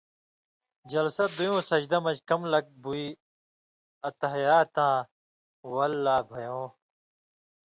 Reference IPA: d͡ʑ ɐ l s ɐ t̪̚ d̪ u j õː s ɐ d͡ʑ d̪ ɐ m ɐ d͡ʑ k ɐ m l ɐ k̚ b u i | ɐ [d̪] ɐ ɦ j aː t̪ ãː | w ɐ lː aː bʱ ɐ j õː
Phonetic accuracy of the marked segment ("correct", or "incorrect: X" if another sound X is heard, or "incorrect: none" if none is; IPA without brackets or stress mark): incorrect: t̪